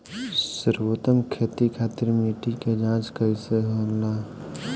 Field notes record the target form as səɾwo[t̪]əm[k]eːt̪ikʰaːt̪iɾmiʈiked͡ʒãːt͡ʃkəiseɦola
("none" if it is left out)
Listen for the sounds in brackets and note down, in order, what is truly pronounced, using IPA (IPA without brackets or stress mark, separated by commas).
t̪, kʰ